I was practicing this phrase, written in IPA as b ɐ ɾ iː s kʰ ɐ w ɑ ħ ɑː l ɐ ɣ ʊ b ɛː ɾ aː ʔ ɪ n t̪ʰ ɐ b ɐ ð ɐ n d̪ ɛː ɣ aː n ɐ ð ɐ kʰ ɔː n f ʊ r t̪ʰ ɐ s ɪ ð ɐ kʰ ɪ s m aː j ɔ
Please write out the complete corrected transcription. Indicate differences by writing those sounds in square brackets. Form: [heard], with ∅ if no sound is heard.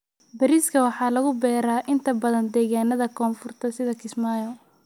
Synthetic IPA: b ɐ ɾ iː s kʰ ɐ w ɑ ħ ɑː l ɐ ɣ ʊ b ɛː ɾ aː ʔ ɪ n t̪ʰ ɐ b ɐ ð ɐ n d̪ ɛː ɣ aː n ɐ ð ɐ kʰ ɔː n f ʊ r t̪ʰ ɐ s ɪ ð ɐ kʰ ɪ s m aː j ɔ